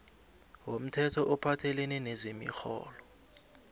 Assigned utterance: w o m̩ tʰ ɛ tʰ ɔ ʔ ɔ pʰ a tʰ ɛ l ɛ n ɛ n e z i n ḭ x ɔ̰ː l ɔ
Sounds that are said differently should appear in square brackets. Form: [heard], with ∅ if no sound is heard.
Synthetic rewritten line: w o m̩ tʰ ɛ tʰ ɔ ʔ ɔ pʰ a tʰ ɛ l ɛ n ɛ n e z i [m] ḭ x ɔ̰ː l ɔ